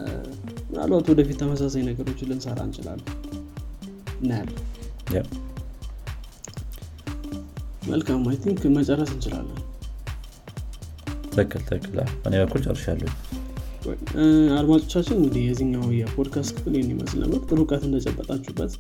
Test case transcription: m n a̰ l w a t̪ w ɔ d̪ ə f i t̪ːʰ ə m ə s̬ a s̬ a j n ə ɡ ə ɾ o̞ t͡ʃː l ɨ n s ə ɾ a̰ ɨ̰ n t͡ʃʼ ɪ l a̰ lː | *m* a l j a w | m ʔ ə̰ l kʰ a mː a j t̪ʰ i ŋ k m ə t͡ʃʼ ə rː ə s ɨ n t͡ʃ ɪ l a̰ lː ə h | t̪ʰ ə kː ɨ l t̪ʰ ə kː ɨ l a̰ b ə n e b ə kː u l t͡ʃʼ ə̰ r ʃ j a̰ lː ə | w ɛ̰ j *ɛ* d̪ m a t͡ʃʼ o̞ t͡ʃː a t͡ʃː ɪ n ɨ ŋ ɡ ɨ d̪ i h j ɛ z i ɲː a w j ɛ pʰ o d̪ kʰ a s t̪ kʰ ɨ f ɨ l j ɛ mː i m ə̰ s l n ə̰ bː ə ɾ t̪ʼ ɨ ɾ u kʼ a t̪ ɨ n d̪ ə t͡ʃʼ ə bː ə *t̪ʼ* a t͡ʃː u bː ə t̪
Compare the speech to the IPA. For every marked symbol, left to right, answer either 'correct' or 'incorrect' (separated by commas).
incorrect, incorrect, correct